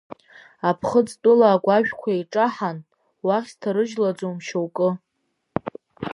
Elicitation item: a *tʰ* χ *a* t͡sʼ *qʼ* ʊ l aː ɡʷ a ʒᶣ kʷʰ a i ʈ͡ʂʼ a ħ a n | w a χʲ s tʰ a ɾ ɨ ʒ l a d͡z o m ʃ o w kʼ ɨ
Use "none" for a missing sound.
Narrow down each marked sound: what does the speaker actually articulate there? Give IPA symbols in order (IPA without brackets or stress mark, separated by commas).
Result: pʰ, ə, tʼ